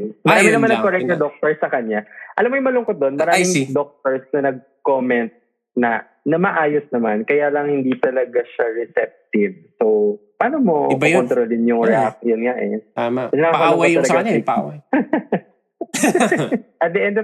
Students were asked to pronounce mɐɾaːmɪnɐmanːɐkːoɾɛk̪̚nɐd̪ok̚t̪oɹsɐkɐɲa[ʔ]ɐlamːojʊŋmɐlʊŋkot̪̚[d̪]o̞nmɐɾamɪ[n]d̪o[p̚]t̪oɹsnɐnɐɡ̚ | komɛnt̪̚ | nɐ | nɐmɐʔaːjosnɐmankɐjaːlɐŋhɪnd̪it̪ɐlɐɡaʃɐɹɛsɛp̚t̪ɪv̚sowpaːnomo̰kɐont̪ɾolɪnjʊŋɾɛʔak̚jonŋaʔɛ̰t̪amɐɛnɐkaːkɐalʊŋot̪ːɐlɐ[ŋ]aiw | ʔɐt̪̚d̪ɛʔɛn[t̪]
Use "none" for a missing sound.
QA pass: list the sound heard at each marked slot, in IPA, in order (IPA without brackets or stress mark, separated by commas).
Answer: ʔ, d̪, ŋ, k̚, ɡ, d̪